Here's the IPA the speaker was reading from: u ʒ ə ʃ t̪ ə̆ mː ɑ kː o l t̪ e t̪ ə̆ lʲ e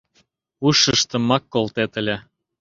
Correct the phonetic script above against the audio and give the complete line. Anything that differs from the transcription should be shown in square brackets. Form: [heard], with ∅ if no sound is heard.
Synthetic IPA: u [ʃ] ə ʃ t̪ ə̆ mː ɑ kː o l t̪ e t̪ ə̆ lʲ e